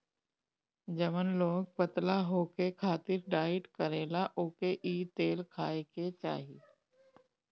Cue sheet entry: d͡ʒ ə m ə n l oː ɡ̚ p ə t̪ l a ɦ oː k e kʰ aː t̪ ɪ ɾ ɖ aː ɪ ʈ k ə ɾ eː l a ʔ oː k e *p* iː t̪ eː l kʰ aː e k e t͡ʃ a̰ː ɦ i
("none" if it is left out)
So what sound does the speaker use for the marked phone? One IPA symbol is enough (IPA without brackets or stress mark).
ʔ